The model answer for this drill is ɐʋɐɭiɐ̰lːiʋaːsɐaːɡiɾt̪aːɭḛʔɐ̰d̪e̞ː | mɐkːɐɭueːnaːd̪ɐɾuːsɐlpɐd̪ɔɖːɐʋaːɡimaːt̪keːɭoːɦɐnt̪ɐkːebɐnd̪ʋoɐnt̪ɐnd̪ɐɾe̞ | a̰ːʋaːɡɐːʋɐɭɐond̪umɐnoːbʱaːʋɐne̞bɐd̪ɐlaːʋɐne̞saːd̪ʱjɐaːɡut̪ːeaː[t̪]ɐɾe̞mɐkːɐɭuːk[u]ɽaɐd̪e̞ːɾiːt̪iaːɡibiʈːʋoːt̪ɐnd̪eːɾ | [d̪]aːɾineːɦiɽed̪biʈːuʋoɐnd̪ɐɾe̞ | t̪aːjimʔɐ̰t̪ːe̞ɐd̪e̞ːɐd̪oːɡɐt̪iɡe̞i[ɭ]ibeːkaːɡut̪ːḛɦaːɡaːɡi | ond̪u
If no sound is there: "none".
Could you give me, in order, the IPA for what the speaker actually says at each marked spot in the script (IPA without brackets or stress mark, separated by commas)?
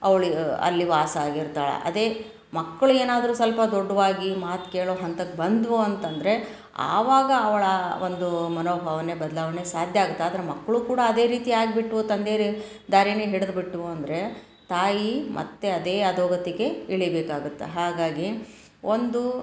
d̪, uː, d̪, ɭ